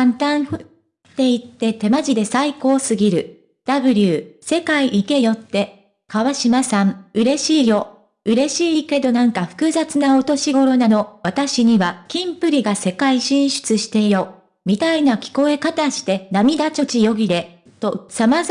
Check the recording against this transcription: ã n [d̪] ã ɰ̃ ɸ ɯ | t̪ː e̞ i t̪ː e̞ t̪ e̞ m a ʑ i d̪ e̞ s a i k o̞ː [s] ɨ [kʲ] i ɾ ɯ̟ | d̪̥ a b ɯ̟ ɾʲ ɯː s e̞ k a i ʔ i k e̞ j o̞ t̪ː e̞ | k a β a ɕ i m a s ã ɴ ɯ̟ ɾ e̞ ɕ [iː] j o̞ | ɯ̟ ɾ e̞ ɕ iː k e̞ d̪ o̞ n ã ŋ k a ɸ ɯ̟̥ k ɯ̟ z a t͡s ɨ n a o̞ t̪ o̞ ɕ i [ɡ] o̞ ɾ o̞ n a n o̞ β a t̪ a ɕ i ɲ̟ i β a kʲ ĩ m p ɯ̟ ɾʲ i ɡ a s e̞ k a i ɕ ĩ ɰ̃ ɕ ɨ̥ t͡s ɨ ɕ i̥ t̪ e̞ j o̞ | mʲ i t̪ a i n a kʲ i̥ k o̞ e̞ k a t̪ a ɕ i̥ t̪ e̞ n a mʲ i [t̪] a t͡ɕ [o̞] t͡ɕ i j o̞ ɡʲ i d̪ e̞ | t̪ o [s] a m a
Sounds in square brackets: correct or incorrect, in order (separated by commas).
incorrect, correct, incorrect, correct, correct, incorrect, correct, correct